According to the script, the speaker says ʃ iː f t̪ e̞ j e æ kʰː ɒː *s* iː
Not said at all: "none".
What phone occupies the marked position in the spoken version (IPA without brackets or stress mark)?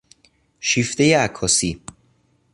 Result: s